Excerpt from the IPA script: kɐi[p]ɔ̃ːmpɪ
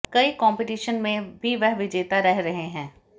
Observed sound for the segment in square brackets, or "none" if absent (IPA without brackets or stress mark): k